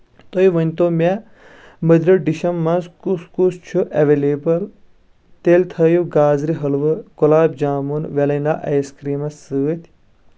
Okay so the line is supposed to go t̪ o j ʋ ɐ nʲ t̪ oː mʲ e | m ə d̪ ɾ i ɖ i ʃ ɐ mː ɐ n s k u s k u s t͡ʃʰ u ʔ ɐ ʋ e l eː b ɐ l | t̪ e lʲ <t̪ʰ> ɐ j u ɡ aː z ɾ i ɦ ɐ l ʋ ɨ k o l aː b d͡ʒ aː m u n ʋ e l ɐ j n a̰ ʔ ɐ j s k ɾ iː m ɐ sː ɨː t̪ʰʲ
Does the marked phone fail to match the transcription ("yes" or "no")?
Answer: no